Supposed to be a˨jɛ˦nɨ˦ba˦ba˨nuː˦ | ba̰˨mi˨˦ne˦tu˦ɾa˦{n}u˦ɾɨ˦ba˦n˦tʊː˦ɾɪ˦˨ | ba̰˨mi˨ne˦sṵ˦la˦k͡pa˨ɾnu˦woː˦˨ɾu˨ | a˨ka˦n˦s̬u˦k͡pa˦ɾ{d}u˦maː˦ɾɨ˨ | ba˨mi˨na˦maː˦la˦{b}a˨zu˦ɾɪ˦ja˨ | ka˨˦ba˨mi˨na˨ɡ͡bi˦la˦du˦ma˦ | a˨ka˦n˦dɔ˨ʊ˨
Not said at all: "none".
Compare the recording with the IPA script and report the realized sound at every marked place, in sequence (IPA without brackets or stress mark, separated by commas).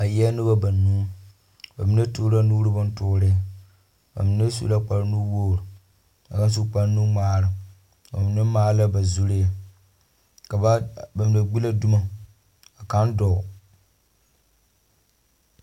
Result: n, n, b